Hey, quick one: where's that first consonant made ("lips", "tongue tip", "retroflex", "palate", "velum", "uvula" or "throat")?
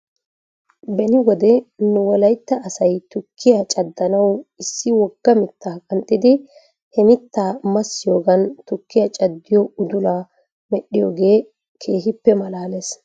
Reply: lips